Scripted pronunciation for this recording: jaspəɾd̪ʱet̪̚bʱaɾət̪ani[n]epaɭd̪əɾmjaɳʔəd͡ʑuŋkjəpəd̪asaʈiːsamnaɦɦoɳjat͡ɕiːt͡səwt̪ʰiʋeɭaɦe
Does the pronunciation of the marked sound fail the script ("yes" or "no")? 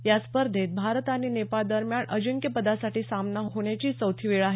no